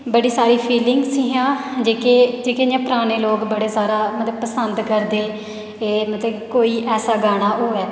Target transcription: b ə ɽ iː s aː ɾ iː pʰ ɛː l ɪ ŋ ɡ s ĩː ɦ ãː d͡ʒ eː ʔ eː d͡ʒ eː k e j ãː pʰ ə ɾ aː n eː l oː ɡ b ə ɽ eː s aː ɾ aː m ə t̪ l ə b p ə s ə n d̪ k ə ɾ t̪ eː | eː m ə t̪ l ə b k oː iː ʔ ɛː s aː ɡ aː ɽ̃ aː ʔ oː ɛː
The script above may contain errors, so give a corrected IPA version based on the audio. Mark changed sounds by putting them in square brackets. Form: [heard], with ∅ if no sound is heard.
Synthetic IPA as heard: b ə ɽ iː s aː ɾ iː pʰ [iː] l ɪ ŋ ɡ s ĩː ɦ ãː d͡ʒ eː [k] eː d͡ʒ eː k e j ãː [p] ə ɾ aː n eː l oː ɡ b ə ɽ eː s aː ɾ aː m ə t̪ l ə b p ə s ə n d̪ k ə ɾ [d̪] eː | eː m ə t̪ l ə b k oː iː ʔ ɛː s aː ɡ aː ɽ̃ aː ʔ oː ɛː

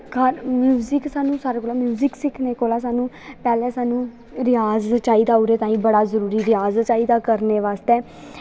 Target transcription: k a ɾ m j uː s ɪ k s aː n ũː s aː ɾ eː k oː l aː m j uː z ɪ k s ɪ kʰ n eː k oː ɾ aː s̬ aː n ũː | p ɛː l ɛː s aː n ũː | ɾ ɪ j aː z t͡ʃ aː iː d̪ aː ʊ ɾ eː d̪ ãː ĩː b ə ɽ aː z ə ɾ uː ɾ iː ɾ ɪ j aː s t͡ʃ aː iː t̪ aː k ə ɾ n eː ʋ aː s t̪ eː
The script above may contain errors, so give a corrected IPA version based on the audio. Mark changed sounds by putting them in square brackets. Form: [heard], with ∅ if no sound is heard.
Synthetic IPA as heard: k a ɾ m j uː [z] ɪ k s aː n ũː s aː ɾ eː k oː l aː m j uː z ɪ k s ɪ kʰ n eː k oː [l] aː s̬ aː n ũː | p ɛː l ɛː s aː n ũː | ɾ ɪ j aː z t͡ʃ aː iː d̪ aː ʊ ɾ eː [t̪] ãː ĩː b ə ɽ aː z ə ɾ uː ɾ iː ɾ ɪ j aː [z] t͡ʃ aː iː [d̪] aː k ə ɾ n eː ʋ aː s t̪ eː

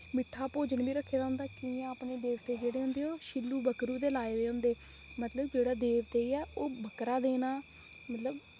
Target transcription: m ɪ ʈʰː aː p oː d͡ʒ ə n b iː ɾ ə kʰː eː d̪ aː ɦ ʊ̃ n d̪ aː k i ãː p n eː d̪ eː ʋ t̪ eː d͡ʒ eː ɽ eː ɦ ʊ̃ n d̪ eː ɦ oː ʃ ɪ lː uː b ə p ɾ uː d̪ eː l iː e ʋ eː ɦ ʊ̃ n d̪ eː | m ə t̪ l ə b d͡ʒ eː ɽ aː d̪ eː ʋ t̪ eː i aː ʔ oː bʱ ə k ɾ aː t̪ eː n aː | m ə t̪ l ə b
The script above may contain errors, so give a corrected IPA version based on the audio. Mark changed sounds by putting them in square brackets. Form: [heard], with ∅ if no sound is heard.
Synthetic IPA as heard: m ɪ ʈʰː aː p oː d͡ʒ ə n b iː ɾ ə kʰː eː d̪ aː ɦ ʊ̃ n d̪ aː k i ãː p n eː d̪ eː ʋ t̪ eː d͡ʒ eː ɽ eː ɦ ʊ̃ n d̪ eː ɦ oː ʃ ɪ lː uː b ə [k] ɾ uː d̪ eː l [aː] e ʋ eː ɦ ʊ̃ n d̪ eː | m ə t̪ l ə b d͡ʒ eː ɽ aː d̪ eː ʋ t̪ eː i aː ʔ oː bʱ ə k ɾ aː [d̪] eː n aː | m ə t̪ l ə b

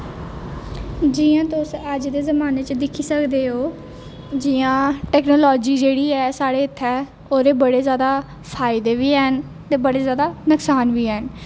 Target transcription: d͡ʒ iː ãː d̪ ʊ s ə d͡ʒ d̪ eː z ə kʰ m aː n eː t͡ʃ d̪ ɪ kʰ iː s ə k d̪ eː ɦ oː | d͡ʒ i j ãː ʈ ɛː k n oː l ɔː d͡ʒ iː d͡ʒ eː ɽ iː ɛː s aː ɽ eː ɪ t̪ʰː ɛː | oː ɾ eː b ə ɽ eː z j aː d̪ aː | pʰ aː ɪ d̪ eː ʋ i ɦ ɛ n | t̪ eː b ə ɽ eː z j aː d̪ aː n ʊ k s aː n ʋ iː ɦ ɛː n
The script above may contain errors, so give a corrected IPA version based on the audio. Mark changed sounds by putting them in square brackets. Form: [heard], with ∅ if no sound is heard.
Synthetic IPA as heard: d͡ʒ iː ãː [t̪] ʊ s ə d͡ʒ d̪ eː z ə [∅] m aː n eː t͡ʃ d̪ ɪ kʰ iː s ə k d̪ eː ɦ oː | d͡ʒ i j ãː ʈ ɛː k n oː l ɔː d͡ʒ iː d͡ʒ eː ɽ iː ɛː s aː ɽ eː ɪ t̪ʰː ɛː | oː ɾ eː b ə ɽ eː z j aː d̪ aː | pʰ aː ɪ d̪ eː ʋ [iː] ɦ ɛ n | t̪ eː b ə ɽ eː z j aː d̪ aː n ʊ k s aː n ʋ iː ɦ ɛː n

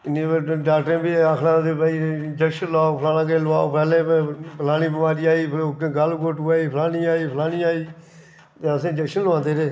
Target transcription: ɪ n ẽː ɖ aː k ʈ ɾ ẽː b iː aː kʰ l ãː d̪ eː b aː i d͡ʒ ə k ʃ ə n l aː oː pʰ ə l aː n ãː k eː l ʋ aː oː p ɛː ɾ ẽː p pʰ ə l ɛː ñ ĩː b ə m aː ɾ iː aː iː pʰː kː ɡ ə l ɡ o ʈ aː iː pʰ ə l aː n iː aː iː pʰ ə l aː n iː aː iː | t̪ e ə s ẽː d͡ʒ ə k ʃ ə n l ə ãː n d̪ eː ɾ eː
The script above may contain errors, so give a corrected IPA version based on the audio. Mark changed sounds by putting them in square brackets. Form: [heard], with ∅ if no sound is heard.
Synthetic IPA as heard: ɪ n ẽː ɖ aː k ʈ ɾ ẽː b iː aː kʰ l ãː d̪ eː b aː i d͡ʒ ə k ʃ ə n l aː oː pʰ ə l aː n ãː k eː l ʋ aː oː p ɛː [l] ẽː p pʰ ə l [aː] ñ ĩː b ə m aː ɾ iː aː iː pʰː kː ɡ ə l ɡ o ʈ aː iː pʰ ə l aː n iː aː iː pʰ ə l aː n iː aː iː | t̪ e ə s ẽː d͡ʒ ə k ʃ ə n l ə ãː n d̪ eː ɾ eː

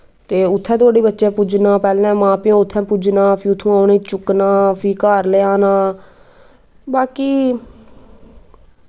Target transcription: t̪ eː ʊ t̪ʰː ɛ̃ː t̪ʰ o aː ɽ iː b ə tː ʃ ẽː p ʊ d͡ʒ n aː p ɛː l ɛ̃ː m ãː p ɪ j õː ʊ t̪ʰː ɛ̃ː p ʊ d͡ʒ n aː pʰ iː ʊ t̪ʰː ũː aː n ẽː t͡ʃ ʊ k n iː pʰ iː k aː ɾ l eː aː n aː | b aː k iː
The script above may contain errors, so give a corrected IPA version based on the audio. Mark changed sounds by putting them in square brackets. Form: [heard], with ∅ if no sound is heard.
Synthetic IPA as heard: t̪ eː ʊ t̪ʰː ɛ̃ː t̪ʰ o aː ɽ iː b ə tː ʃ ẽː p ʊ d͡ʒ n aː p ɛː l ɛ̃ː m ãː p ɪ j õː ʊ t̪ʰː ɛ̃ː p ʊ d͡ʒ n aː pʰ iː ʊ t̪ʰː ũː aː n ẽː t͡ʃ ʊ k n [aː] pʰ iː k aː ɾ l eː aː n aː | b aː k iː

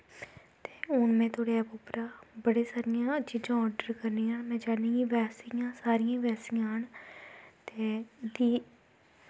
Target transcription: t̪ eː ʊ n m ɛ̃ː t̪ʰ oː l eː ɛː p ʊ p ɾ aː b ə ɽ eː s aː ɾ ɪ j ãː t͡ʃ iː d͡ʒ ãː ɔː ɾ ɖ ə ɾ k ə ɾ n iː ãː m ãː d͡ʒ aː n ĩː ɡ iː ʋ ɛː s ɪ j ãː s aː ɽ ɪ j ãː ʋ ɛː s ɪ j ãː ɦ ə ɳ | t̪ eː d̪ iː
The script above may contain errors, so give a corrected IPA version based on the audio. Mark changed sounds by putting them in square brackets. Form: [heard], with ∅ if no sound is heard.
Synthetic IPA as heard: t̪ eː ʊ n m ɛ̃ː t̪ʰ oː [ɽ] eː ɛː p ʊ p ɾ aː b ə ɽ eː s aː ɾ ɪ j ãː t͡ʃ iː d͡ʒ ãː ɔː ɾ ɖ ə ɾ k ə ɾ n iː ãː m [ɛ̃ː] d͡ʒ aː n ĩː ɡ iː ʋ ɛː s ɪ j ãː s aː [ɾ] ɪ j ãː ʋ ɛː s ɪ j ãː ɦ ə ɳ | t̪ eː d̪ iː

